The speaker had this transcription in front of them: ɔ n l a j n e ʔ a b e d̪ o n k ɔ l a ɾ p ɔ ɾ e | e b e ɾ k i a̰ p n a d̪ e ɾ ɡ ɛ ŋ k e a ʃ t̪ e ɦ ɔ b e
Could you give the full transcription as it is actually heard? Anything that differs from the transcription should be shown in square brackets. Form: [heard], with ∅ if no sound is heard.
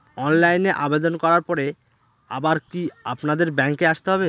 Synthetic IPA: ɔ n l a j n e ʔ a b e d̪ o n k ɔ [ɾ] a ɾ p ɔ ɾ e | [a] b [a] ɾ k i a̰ p n a d̪ e ɾ [b] ɛ ŋ k e a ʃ t̪ e ɦ ɔ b e